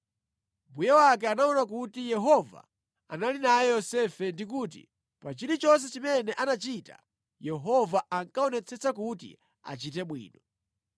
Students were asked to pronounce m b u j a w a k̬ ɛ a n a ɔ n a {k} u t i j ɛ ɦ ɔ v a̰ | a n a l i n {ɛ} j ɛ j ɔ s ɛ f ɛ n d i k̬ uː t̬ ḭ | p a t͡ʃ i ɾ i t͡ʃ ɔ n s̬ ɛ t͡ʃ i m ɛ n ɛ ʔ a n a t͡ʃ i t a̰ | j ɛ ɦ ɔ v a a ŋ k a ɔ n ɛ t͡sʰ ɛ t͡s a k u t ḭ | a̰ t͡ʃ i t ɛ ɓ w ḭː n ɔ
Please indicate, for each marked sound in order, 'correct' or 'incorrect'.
correct, incorrect: a

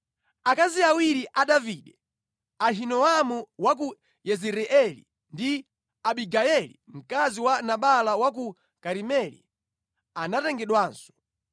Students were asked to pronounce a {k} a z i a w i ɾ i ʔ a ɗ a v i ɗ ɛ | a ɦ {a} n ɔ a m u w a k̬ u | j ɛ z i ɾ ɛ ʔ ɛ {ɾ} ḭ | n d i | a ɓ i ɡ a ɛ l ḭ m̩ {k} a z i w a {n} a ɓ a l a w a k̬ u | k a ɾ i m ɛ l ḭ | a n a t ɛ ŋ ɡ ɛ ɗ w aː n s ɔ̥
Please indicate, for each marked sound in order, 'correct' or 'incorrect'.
correct, incorrect: i, incorrect: l, correct, correct

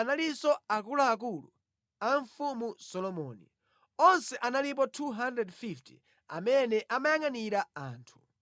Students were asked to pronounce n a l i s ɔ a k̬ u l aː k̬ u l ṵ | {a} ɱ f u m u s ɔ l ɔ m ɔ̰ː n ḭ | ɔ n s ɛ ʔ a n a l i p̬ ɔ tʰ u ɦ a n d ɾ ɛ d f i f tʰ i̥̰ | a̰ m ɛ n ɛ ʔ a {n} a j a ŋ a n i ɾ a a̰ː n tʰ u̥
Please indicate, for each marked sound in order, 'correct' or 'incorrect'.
correct, incorrect: m

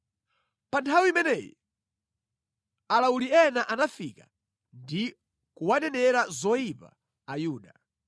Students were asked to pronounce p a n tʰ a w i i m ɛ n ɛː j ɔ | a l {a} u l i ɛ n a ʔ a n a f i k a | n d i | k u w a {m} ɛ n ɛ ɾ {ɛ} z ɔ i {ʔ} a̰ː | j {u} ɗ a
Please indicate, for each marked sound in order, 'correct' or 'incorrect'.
correct, incorrect: n, incorrect: a, incorrect: p, incorrect: uː

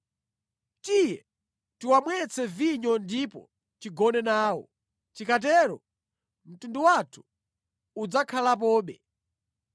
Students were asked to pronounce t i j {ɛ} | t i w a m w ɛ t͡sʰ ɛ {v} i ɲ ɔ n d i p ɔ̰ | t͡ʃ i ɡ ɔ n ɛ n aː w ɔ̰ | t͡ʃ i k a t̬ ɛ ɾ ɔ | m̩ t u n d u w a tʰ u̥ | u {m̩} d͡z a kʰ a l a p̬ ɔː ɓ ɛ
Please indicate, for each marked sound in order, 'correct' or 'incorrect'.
correct, correct, incorrect: none

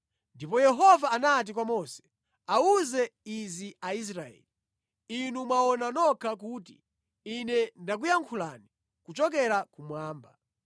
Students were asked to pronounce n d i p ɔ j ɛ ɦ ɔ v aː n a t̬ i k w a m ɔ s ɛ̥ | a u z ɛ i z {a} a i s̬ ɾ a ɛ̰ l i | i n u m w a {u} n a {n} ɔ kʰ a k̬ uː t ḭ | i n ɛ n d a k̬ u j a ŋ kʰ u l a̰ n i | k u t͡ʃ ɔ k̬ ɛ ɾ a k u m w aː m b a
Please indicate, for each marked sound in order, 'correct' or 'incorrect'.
incorrect: i, incorrect: ɔ, correct

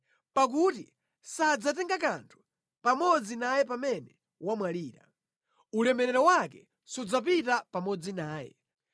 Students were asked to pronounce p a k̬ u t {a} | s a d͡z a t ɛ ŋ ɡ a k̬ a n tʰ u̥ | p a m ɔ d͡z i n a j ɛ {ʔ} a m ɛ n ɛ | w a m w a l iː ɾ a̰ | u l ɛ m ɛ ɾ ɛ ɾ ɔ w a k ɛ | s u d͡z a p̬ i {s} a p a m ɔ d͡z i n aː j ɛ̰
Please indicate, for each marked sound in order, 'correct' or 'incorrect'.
incorrect: i, incorrect: p, incorrect: t

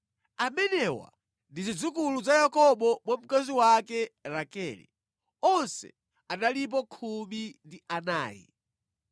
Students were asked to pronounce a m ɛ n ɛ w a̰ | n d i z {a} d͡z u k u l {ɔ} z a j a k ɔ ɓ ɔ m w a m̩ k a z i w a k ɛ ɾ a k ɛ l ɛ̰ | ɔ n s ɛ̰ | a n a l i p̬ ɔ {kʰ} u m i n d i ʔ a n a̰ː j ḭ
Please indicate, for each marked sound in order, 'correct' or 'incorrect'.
incorrect: i, incorrect: u, correct

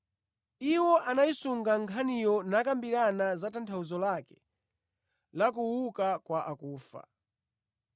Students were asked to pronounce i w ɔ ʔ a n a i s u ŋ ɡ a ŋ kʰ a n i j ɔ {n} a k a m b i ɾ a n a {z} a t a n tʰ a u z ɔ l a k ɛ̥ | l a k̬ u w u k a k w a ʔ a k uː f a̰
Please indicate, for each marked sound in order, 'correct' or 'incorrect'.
correct, correct

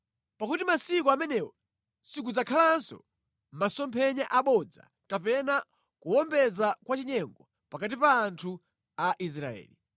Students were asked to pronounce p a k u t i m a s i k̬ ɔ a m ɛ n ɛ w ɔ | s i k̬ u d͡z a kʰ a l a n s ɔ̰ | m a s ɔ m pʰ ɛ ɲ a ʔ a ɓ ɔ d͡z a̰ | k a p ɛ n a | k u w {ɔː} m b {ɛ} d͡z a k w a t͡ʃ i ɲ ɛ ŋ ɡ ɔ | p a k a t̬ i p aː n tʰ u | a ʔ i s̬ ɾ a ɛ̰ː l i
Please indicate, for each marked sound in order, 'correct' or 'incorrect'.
incorrect: ɔ, correct

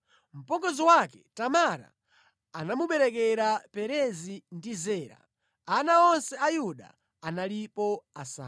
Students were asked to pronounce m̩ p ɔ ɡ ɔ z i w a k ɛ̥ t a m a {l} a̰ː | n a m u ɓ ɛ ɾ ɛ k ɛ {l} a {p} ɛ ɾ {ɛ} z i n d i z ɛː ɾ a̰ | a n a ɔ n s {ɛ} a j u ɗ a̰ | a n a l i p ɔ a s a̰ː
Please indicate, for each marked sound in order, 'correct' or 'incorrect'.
incorrect: ɾ, incorrect: ɾ, correct, correct, correct

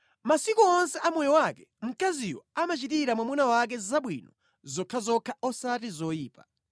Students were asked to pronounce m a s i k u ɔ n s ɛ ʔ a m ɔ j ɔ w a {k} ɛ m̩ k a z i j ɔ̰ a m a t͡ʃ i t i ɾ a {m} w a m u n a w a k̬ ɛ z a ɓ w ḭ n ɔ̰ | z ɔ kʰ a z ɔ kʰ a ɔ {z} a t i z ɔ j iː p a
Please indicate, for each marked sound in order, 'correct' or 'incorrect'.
correct, correct, incorrect: s

